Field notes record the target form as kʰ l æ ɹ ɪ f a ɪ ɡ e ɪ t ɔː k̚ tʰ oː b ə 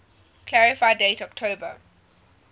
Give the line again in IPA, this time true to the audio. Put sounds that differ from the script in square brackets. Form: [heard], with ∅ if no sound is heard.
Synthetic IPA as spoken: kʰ l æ ɹ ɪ f a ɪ [d] e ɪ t [ɔ] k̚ tʰ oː b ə